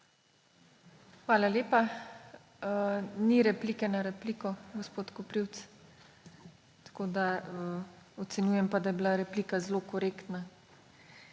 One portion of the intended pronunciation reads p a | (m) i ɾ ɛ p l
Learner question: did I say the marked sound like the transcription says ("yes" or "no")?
no